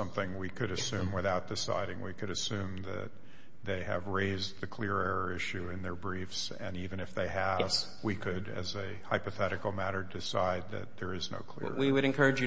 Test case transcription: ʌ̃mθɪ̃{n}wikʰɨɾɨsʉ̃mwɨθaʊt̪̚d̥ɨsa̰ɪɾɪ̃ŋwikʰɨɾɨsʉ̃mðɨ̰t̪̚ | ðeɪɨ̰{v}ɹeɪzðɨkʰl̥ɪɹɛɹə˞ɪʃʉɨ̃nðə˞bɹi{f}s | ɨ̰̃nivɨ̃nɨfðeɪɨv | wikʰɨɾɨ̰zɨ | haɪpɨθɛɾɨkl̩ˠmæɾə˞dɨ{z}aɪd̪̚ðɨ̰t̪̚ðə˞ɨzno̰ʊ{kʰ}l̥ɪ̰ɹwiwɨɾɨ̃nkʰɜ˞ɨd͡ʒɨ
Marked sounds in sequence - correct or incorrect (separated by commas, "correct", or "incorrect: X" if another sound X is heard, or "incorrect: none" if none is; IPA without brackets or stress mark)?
incorrect: ŋ, correct, correct, incorrect: s, correct